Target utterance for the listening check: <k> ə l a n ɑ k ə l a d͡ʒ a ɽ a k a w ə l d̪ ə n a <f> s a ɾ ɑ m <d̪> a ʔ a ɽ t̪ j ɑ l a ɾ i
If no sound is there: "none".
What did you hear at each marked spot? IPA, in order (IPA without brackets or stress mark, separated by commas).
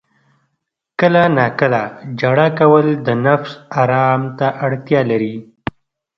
k, f, t̪